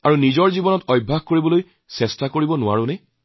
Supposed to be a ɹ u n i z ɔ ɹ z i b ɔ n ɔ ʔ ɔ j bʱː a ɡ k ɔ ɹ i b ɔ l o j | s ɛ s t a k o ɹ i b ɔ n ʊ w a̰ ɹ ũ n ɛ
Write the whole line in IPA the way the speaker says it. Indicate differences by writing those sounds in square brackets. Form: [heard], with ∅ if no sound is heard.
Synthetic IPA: a ɹ u n i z ɔ ɹ z i b ɔ n ɔ [t] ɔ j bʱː a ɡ k [o] ɹ i b ɔ l o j | s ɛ s t a k o ɹ i b ɔ n ʊ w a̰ ɹ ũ n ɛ